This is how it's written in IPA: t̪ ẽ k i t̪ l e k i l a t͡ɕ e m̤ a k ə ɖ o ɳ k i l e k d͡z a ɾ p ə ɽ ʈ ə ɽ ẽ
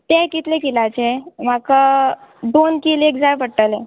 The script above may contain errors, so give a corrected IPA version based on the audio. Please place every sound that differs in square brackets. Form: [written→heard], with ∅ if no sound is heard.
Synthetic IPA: t̪ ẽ k i t̪ l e k i l a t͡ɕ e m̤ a k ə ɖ o [ɳ→n] k i l e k d͡z a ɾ p ə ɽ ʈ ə [ɽ→l] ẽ

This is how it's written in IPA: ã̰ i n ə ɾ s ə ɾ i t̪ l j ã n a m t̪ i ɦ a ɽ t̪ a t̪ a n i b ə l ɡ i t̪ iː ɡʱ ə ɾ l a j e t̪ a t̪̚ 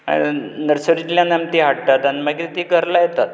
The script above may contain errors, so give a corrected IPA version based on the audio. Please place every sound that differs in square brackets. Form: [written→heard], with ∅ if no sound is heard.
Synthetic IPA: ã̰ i n ə ɾ s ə ɾ i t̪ l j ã n a m t̪ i ɦ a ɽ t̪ a t̪ a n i [b→m] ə [l→∅] ɡ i t̪ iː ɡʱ ə ɾ l a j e t̪ a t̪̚

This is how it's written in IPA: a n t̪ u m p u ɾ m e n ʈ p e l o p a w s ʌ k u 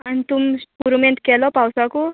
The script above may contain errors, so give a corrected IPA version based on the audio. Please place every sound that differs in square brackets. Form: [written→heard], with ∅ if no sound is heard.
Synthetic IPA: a n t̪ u m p u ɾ m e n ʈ [p→k] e l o p a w s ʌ k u

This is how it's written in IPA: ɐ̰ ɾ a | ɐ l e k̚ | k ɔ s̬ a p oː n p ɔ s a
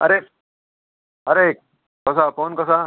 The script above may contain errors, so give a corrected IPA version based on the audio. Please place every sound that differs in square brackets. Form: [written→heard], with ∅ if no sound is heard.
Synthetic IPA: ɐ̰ ɾ [a→e] | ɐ [l→ɾ] e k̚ | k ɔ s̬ a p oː n [p→k] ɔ s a

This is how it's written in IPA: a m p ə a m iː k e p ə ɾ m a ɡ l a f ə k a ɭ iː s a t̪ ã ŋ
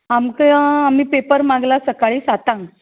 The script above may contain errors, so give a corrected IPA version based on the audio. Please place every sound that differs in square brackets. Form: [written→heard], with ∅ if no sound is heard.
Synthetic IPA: a m [p→k] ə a m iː [k→p] e p ə ɾ m a ɡ l a [f→s] ə k a ɭ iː s a t̪ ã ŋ

